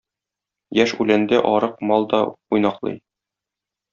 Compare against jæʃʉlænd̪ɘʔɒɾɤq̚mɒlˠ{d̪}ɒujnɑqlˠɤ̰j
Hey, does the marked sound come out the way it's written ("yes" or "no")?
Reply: yes